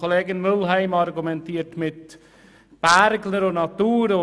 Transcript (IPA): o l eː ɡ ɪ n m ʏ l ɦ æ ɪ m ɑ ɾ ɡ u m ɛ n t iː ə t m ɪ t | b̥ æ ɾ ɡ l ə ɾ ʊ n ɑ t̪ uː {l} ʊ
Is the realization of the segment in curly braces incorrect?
yes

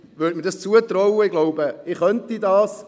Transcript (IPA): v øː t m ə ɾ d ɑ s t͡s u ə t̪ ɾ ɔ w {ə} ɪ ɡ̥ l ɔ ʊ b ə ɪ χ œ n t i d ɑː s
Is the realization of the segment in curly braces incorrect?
no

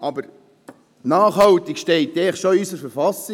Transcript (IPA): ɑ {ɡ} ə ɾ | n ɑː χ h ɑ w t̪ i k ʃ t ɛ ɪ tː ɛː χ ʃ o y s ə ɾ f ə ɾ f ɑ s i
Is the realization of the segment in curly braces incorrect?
yes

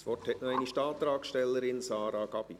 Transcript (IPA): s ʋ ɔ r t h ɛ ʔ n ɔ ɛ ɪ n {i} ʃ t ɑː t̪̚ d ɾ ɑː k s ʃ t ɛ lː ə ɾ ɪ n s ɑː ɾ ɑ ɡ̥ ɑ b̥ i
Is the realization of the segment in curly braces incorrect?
no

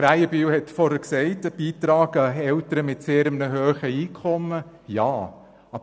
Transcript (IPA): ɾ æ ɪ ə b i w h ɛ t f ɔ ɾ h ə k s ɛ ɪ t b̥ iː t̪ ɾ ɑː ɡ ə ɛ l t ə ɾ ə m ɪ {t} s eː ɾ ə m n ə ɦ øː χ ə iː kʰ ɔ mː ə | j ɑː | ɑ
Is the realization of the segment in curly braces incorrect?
no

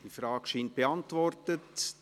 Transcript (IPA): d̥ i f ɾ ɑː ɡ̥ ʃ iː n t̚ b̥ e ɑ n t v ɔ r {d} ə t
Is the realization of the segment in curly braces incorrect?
yes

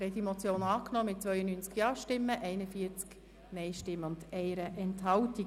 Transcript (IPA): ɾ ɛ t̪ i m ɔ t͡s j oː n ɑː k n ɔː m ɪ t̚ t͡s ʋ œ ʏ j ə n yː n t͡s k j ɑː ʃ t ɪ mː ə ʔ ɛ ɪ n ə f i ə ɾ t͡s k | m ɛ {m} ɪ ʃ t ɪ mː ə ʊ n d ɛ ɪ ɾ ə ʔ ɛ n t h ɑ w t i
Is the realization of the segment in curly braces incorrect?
yes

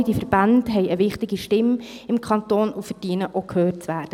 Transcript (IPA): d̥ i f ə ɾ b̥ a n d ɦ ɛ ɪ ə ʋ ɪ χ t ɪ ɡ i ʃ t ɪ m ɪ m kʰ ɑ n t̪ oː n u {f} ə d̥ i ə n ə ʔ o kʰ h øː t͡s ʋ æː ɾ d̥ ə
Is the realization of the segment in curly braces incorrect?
no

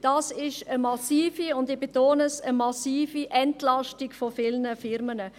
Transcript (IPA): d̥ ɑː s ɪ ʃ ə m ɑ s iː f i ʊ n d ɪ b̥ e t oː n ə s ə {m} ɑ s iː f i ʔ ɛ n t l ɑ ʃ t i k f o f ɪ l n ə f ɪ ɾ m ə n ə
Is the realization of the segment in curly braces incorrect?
no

